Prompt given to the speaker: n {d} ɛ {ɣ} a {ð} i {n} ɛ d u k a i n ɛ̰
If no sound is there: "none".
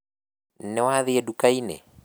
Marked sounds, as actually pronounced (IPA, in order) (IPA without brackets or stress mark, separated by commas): n, w, ð, none